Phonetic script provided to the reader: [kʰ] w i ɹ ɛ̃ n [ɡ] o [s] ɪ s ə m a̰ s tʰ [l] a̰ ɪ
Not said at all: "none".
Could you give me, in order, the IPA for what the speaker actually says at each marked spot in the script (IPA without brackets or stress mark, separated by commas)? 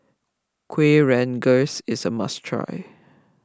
kʰ, ɡ, s, ɹ